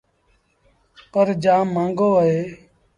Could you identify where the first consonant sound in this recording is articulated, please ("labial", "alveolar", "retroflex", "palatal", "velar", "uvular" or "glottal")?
labial